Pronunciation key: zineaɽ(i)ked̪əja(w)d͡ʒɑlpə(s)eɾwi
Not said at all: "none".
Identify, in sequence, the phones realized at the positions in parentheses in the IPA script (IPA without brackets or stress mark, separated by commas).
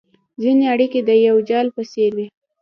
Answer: i, w, s